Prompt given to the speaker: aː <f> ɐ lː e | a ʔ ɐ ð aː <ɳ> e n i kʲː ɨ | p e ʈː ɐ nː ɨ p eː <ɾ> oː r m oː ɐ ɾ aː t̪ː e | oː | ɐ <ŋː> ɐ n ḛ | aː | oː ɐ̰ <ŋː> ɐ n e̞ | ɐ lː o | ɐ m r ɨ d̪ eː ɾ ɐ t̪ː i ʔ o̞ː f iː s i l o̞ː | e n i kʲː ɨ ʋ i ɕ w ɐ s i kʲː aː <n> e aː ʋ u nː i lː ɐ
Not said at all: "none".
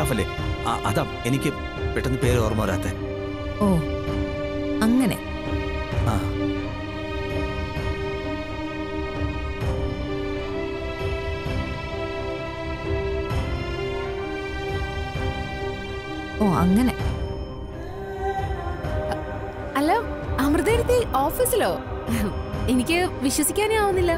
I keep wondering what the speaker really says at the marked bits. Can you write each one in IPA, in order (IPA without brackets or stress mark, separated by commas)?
f, m, ɾ, ŋː, ŋː, n